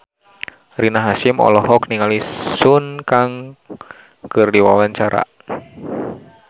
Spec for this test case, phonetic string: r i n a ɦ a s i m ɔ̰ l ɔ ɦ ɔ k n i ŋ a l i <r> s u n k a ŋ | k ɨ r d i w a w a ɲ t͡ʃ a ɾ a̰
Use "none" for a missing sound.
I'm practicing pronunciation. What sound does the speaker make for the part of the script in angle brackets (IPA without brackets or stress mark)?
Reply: none